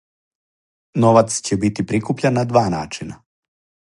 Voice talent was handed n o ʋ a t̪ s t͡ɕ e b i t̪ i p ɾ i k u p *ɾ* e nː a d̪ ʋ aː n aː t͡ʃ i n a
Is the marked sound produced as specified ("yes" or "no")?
no